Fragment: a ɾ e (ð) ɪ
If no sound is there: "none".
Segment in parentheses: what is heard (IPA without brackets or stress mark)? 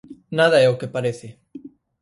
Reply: θ